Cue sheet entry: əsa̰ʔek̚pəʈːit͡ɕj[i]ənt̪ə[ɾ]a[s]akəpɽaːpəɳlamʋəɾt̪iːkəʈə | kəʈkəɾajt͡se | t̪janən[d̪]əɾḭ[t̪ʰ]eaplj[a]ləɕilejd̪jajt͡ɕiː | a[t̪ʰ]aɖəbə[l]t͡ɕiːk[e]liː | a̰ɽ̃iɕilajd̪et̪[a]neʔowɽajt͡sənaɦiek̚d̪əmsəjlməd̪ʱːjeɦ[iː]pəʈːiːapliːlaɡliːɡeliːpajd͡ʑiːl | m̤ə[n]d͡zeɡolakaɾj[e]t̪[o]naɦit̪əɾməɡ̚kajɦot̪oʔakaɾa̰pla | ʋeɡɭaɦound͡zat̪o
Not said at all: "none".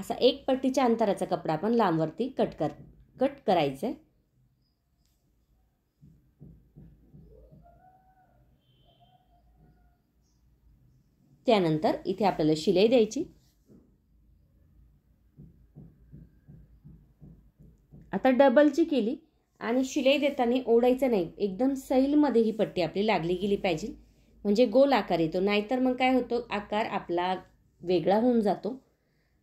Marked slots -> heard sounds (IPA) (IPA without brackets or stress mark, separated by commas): a, ɾ, t͡s, t̪, t̪ʰ, a, t̪, l, e, a, iː, ɳ, e, o